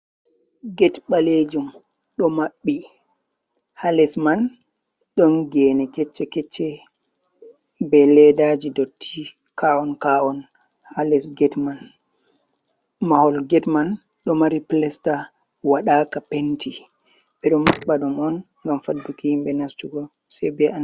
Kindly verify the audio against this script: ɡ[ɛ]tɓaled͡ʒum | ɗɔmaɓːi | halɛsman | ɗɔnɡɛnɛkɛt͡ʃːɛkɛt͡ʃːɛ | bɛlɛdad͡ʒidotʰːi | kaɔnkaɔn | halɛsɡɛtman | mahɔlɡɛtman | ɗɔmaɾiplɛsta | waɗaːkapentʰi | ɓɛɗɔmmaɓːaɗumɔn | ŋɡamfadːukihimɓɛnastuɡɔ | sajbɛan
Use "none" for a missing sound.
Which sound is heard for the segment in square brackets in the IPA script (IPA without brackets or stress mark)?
ɛ